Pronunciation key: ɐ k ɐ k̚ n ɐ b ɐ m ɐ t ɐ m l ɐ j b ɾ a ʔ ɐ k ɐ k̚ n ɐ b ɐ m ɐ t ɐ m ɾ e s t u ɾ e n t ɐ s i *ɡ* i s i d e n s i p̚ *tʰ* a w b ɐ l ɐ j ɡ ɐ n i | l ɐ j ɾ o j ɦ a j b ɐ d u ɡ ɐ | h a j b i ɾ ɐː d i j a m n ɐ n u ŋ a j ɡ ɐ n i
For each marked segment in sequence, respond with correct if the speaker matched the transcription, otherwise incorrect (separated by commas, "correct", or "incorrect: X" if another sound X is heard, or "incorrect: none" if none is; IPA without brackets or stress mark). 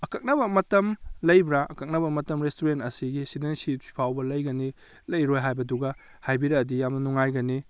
correct, incorrect: pʰ